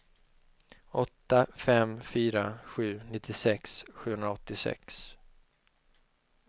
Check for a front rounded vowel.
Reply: present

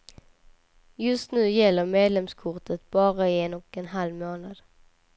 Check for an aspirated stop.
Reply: present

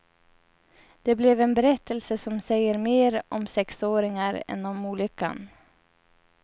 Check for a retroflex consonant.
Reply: absent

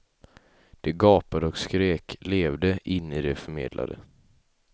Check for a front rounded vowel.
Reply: present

